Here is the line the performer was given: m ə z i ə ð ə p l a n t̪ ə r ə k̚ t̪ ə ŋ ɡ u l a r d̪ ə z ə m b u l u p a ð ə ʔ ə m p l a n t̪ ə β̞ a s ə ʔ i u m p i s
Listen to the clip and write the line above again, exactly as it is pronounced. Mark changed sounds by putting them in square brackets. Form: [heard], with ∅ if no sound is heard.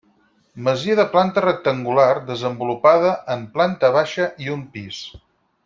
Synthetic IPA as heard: m ə z i ə ð ə p l a n t̪ ə r ə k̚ t̪ ə ŋ ɡ u l a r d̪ ə z ə m b u l u p a ð ə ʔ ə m p l a n t̪ ə β̞ a [ʃ] ə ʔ i u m p i s